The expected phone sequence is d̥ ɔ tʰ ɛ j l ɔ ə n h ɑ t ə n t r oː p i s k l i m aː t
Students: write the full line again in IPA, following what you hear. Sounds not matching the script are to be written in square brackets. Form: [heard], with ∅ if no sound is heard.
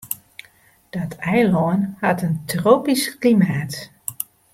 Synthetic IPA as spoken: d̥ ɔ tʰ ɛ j l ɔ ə n h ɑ t ə n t r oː p i s k l i m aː t